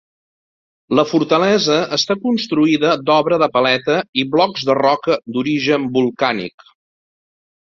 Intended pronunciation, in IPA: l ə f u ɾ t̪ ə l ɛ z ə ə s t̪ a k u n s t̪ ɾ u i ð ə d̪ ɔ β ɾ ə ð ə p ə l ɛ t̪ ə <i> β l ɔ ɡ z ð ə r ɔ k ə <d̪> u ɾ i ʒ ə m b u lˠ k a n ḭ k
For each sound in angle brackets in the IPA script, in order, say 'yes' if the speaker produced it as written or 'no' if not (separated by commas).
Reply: yes, yes